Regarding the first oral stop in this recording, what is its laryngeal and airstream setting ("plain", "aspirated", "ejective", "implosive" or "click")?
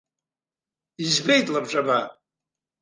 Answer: plain